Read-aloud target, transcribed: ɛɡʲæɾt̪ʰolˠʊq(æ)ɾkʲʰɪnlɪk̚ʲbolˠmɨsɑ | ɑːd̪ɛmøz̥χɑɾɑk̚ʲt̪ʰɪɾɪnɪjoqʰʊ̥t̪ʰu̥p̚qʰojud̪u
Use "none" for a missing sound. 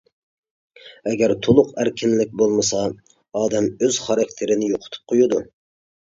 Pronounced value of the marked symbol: æ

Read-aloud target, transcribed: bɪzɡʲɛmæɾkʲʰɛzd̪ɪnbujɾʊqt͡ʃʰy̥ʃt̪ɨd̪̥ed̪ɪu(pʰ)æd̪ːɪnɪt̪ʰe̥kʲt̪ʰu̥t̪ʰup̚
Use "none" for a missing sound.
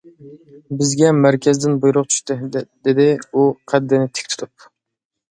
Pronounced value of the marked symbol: qʰ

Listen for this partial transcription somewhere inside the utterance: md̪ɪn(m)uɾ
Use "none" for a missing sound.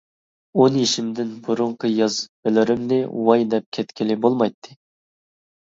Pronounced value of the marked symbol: b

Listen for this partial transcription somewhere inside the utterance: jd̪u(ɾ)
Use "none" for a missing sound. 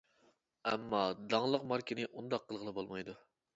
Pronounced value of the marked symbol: none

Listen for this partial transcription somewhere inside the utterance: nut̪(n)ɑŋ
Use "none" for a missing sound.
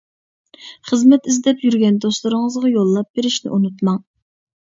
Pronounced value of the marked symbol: m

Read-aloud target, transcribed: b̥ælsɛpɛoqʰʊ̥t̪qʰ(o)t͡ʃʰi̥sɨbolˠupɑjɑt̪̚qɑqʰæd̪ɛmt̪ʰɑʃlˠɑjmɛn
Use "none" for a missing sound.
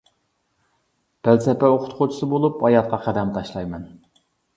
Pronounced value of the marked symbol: o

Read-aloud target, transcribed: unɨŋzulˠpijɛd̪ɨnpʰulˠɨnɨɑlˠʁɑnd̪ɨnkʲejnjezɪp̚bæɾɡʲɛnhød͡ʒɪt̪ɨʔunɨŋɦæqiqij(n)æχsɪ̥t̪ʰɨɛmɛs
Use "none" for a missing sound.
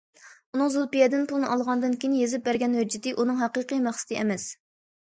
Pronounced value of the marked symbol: m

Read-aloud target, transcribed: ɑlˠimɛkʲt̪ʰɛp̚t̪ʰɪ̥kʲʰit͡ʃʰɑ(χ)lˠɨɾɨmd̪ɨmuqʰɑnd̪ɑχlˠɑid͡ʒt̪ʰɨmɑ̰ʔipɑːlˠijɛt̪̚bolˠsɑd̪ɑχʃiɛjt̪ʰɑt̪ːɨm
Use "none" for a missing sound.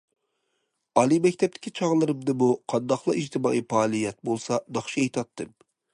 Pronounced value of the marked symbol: ʁ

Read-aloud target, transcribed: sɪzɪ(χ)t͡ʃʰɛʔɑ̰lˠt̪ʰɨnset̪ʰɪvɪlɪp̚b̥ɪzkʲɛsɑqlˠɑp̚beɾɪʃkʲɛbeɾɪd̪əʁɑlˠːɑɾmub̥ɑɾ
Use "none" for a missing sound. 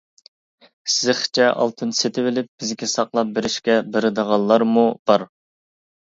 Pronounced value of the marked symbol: χ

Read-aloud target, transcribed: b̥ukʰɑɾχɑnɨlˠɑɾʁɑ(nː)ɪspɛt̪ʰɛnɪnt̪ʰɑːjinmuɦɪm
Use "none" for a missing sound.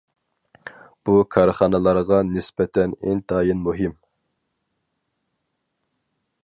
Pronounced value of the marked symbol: n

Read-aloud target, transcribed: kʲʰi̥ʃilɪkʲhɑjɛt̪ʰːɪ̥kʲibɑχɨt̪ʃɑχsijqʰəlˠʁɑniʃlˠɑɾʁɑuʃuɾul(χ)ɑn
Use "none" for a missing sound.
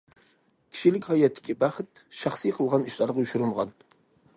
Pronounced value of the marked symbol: ʁ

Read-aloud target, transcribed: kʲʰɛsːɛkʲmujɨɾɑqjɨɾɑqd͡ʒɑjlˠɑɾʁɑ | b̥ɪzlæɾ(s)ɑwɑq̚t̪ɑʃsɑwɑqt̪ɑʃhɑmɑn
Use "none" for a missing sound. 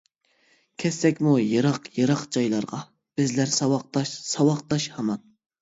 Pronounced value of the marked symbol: s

